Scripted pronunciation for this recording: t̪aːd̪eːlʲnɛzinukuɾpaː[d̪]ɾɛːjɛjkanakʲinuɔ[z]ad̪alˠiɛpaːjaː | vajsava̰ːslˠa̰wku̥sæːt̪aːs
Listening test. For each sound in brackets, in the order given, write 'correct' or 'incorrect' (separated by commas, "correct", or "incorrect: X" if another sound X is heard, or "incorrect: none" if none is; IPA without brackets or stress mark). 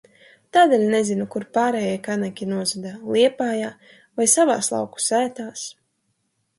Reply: incorrect: none, correct